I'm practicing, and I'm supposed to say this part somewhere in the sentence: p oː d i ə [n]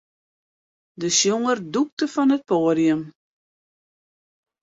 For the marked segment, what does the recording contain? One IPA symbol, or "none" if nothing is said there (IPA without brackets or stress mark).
m